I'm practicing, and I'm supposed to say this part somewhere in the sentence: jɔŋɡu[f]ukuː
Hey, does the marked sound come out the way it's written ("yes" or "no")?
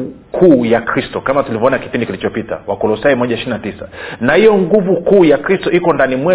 no